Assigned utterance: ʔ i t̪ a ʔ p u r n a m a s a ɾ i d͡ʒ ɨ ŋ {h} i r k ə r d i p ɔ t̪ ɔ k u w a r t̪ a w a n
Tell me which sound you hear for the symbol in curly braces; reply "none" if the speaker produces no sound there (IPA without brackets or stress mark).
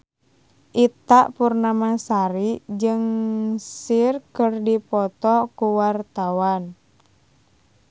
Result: s